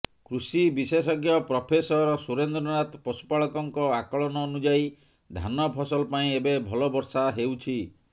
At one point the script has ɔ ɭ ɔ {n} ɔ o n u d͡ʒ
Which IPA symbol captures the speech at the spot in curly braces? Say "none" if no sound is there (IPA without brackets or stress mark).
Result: n